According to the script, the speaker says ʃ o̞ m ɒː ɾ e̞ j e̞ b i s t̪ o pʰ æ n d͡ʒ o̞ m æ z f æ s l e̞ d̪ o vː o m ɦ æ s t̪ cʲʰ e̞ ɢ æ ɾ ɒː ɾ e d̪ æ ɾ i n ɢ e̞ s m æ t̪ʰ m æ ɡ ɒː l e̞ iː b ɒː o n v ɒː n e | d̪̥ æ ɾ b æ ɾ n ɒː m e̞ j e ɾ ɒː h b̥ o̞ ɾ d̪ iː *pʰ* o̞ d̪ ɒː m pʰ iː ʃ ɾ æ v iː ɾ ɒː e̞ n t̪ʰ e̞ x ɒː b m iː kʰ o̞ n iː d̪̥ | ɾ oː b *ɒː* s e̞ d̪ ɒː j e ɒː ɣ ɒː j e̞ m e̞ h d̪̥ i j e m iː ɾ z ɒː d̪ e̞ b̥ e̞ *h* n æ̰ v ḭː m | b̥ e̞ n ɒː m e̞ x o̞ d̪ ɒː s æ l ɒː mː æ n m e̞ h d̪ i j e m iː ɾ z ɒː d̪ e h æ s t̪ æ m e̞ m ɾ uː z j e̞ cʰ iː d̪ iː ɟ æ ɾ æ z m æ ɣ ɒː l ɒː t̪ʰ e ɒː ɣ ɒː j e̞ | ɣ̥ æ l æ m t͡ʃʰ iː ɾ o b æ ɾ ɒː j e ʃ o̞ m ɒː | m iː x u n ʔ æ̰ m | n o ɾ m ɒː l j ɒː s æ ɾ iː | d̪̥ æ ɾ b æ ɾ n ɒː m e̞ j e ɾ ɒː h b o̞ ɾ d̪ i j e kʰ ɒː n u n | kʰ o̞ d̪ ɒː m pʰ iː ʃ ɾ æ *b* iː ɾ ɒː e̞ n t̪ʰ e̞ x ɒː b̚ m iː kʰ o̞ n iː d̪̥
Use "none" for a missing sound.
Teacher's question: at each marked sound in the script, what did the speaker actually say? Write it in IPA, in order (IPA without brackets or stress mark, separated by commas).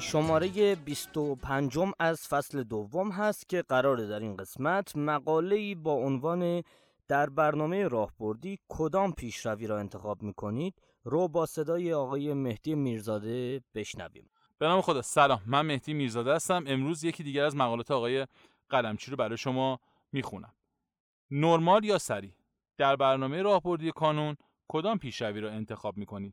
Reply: kʰ, ɒː, ʃ, v